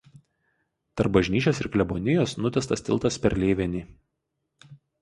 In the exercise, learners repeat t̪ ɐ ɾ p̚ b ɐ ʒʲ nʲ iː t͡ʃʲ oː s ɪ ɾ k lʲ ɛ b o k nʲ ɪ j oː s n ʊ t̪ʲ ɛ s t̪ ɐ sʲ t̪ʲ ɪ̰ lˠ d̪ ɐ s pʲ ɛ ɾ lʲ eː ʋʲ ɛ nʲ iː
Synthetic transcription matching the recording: t̪ ɐ ɾ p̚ b ɐ ʒʲ nʲ iː t͡ʃʲ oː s ɪ ɾ k lʲ ɛ b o nʲ ɪ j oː s n ʊ t̪ʲ ɛ s t̪ ɐ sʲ t̪ʲ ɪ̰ lˠ t̪ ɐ s pʲ ɛ ɾ lʲ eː ʋʲ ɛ nʲ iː

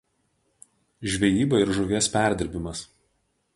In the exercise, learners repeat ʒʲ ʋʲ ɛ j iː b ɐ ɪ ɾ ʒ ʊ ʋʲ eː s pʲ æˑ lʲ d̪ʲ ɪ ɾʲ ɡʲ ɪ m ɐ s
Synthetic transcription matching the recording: ʒʲ ʋʲ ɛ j iː b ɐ ɪ ɾ ʒ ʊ ʋʲ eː s pʲ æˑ ɾʲ d̪ʲ ɪ ɾʲ bʲ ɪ m ɐ s

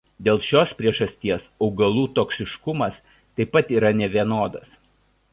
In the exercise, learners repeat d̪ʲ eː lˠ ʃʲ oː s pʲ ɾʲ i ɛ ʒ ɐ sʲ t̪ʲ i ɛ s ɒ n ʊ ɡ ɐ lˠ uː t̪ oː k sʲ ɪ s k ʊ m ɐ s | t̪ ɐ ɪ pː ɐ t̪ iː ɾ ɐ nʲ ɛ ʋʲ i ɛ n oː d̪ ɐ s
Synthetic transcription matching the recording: d̪ʲ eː lˠ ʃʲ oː s pʲ ɾʲ i ɛ ʒ ɐ sʲ t̪ʲ i ɛ s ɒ ʊ ɡ ɐ lˠ uː t̪ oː k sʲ ɪ ʃ k ʊ m ɐ s | t̪ ɐ ɪ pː ɐ t̪ iː ɾ ɐ nʲ ɛ ʋʲ i ɛ n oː d̪ ɐ s

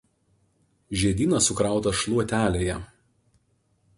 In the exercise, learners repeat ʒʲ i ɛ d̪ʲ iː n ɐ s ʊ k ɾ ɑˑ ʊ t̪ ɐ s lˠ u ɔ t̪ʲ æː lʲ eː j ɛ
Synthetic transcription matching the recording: ʒʲ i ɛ d̪ʲ iː n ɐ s ʊ k ɾ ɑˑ ʊ t̪ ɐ ʃ lˠ u ɔ t̪ʲ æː lʲ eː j ɛ

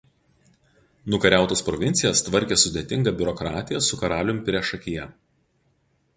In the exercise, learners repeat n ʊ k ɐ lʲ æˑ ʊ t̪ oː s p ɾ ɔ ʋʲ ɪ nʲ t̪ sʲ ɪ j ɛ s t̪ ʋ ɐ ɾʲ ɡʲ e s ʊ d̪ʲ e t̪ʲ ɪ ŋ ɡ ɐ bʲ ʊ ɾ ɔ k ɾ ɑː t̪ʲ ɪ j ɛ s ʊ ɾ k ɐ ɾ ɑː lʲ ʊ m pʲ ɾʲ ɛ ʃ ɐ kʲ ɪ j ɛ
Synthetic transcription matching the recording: n ʊ k ɐ ɾʲ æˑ ʊ t̪ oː s p ɾ ɔ ʋʲ ɪ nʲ t̪ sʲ ɪ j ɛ s t̪ ʋ ɐ ɾʲ kʲ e s ʊ d̪ʲ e t̪ʲ ɪ ŋ ɡ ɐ bʲ ʊ ɾ ɔ k ɾ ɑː t̪ʲ ɪ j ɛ s ʊ k ɐ ɾ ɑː lʲ ʊ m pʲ ɾʲ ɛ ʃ ɐ kʲ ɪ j ɛ

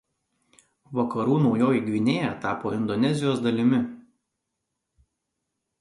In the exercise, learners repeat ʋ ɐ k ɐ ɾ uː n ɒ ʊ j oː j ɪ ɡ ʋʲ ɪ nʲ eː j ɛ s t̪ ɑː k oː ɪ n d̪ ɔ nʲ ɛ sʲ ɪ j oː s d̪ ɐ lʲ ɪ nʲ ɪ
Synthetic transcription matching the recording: ʋ ɐ k ɐ ɾ uː n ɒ ʊ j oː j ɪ ɡ ʋʲ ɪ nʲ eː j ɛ t̪ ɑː p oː ɪ n d̪ ɔ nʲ ɛ zʲ ɪ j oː s d̪ ɐ lʲ ɪ mʲ ɪ

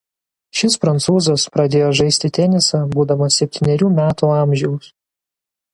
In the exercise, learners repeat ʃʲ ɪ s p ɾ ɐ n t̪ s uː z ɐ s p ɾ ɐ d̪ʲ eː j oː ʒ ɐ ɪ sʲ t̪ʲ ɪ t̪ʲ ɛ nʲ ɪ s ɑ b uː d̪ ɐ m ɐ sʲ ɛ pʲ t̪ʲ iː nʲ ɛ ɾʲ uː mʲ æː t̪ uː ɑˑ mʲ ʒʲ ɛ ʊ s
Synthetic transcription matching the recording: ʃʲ ɪ s p ɾ ɐ n t̪ s uː z ɐ s p ɾ ɐ d̪ʲ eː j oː ʒ ɐ ɪ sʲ t̪ʲ ɪ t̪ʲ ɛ nʲ ɪ s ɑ b uː d̪ ɐ m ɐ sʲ ɛ pʲ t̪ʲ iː nʲ ɛ ɾʲ uː mʲ æː t̪ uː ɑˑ mʲ ʒʲ ɛ ʊ s

